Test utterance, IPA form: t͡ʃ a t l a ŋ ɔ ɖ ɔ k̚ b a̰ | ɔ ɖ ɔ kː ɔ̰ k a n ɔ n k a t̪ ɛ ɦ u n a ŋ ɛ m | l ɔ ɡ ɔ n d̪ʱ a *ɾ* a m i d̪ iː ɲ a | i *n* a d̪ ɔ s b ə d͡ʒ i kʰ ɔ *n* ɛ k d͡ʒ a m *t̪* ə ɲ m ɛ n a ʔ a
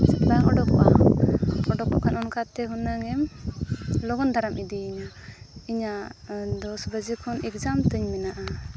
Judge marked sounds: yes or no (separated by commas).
yes, no, yes, yes